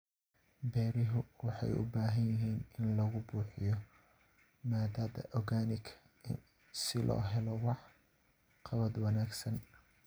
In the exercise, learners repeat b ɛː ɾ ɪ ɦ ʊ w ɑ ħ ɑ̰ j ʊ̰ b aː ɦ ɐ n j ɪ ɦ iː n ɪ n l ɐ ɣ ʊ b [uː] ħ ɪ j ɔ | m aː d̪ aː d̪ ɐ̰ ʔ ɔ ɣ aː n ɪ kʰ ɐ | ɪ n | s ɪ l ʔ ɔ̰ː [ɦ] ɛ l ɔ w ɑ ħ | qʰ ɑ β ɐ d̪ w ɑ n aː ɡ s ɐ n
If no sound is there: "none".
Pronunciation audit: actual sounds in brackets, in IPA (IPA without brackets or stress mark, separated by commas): uː, ɦ